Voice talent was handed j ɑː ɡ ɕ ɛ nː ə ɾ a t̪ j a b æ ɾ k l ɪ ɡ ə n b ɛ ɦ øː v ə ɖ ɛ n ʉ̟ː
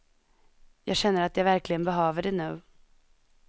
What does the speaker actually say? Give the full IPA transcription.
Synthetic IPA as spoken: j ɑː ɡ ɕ ɛ nː ə ɾ a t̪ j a v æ ɾ k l ɪ ɡ ə n b ɛ ɦ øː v ə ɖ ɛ n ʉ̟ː